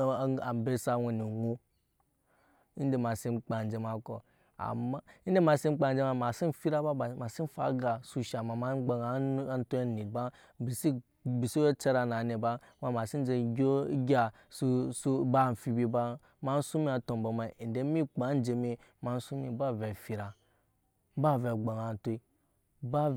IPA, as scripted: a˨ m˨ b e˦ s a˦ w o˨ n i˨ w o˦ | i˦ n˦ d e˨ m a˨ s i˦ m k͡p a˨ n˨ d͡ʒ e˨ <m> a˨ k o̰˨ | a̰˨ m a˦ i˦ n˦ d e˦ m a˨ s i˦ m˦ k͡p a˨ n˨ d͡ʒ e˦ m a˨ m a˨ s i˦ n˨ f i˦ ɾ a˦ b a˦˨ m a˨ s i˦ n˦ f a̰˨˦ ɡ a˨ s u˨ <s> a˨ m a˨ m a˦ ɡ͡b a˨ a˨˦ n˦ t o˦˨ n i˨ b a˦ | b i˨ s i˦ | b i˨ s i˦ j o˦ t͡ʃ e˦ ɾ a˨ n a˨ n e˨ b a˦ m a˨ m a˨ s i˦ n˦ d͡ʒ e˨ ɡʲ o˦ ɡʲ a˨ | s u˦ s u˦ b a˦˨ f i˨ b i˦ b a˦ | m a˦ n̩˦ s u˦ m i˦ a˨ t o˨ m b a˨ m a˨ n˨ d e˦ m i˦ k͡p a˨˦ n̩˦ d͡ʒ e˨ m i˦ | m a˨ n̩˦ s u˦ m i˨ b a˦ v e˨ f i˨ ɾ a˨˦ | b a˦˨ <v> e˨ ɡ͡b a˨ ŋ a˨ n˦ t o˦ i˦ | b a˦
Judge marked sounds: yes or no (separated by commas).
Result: yes, no, yes